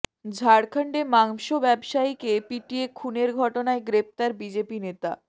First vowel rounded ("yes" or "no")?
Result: no